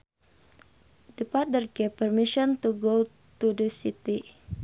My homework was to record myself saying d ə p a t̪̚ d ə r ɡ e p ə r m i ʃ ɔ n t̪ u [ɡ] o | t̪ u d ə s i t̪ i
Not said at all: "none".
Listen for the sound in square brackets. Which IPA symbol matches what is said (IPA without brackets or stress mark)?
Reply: ɡ